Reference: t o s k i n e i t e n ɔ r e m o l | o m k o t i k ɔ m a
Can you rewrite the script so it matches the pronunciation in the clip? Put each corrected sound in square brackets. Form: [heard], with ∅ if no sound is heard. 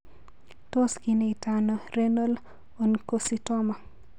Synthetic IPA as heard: t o s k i n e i t [a] n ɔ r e [n] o l | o [n] k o [s] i [t] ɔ m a